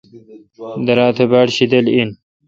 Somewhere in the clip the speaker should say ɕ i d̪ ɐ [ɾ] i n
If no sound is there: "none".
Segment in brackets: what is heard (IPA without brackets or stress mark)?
l